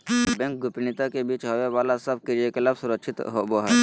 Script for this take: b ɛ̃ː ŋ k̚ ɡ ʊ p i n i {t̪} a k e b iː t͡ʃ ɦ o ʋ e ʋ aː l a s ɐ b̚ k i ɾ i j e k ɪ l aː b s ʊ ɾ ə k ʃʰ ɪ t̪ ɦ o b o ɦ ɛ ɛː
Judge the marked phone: correct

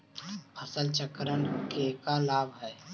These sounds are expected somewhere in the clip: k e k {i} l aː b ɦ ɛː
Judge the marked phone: incorrect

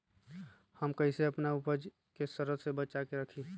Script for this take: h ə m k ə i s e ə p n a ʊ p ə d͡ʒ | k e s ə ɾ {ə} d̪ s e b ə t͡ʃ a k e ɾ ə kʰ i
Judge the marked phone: correct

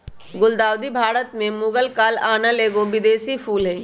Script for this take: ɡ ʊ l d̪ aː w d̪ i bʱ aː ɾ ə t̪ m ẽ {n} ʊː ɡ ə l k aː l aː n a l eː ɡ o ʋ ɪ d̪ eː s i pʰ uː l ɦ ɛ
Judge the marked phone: incorrect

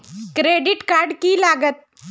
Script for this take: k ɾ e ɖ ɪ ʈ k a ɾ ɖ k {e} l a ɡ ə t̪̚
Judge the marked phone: incorrect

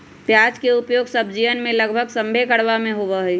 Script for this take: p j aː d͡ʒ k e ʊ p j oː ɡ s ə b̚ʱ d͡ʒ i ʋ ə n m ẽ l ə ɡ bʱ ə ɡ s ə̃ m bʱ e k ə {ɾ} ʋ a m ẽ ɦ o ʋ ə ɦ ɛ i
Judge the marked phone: incorrect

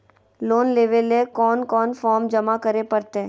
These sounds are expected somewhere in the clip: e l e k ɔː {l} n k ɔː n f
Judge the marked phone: incorrect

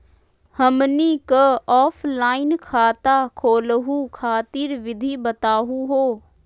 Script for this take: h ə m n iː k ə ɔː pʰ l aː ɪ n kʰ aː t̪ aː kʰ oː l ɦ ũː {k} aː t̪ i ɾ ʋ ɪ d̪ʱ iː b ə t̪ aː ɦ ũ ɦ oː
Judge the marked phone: incorrect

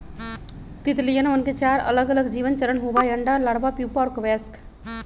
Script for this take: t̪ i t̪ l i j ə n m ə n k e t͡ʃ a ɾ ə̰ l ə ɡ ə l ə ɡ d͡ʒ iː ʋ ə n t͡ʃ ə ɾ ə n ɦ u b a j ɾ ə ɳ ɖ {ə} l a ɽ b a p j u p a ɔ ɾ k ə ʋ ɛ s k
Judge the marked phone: incorrect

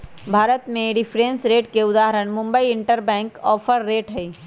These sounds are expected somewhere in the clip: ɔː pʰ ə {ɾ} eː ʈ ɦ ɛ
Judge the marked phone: incorrect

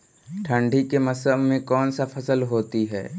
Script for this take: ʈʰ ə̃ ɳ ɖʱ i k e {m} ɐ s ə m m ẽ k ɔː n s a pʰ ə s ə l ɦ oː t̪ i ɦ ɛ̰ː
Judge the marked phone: correct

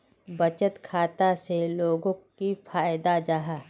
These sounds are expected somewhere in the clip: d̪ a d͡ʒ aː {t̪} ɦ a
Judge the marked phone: incorrect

